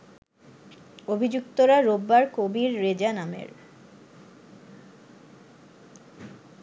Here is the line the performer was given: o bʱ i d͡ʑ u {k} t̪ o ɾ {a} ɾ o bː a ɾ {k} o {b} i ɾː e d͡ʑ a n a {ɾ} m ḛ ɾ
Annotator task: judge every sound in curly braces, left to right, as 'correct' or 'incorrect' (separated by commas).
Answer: correct, correct, correct, correct, incorrect